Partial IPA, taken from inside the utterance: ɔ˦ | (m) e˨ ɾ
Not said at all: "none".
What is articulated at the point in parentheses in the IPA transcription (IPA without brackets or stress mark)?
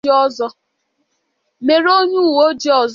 m